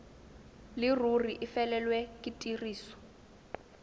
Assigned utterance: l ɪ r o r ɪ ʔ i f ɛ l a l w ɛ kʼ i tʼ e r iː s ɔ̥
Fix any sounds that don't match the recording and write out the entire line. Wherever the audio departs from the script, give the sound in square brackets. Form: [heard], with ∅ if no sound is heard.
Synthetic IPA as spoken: l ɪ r [u] r [i] ʔ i f ɛ l [ɛ] l w ɛ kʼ i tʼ [i] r iː s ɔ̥